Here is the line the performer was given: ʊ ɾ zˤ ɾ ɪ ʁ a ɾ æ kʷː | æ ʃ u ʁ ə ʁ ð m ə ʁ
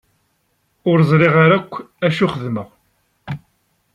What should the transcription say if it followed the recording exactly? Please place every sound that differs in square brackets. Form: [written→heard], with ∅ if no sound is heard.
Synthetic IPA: ʊ ɾ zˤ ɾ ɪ ʁ a ɾ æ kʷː | æ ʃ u [ʁ→χ] ə [ʁ→∅] ð m ə ʁ